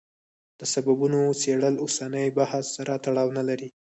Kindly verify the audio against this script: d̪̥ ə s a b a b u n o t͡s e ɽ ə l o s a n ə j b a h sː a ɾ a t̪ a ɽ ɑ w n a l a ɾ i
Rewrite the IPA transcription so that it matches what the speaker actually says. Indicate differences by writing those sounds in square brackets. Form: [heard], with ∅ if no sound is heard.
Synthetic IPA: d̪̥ ə s a b a b u n o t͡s e ɽ ə l o s a n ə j b a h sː a ɾ a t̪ a ɽ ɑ w n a l a ɾ i